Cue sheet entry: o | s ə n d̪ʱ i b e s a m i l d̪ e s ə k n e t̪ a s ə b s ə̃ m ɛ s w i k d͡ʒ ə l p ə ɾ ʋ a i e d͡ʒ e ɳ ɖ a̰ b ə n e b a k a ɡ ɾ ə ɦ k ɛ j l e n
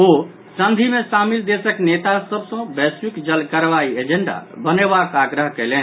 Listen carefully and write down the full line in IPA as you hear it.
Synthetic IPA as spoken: o | s ə n d̪ʱ i m e s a m i l d̪ e s ə k n e t̪ a s ə b s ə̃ b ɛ s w i k d͡ʒ ə l k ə ɾ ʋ a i e d͡ʒ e ɳ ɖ a̰ b ə n e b a k a ɡ ɾ ə ɦ k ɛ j l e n